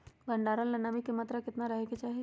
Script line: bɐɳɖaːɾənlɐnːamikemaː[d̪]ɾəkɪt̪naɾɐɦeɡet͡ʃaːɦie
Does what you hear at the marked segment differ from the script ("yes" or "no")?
yes